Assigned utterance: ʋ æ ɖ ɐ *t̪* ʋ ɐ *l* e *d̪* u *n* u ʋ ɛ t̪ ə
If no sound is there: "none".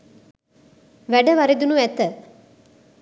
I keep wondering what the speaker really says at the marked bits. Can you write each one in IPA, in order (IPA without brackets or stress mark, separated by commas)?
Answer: none, ɾ, d̪, n